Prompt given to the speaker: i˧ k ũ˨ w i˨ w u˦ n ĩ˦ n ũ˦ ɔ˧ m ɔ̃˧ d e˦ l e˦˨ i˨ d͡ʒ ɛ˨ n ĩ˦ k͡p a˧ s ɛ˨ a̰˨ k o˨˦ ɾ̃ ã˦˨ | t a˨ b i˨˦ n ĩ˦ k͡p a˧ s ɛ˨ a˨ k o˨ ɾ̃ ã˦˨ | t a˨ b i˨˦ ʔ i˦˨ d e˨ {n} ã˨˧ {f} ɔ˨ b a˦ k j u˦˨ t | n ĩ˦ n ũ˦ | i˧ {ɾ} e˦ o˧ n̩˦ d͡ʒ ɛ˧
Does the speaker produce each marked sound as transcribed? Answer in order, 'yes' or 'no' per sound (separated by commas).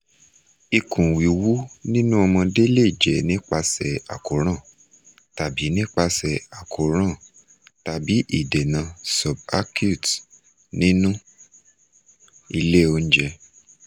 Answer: yes, no, no